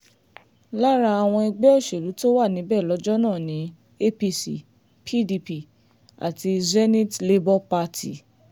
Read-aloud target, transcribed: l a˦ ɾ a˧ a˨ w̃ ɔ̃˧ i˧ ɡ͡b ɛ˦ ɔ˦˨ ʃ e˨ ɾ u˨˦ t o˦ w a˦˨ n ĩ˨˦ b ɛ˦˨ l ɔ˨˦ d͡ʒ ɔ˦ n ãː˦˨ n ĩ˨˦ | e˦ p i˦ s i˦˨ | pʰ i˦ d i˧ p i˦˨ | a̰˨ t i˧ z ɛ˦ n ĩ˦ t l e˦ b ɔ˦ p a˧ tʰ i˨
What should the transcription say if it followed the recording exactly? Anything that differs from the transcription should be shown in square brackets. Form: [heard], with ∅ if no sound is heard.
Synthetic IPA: l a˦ ɾ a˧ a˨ w̃ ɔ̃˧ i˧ ɡ͡b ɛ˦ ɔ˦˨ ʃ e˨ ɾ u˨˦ t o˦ w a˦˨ n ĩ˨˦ b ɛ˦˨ l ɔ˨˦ d͡ʒ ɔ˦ n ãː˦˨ n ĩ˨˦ | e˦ p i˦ s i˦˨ | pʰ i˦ d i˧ p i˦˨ | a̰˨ t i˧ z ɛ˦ n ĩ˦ t l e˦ b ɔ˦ p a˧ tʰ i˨